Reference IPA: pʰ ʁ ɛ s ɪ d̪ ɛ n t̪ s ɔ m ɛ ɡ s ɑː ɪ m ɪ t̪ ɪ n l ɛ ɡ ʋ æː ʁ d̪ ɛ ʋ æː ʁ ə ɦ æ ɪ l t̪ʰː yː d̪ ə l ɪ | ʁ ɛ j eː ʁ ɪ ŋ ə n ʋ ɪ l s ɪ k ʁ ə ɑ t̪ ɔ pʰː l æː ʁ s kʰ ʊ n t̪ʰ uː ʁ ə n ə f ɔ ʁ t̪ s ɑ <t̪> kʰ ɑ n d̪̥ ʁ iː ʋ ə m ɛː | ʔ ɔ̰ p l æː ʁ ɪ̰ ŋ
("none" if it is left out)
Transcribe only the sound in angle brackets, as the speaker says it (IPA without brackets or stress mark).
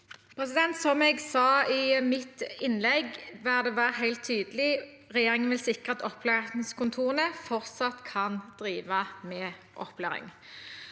t̪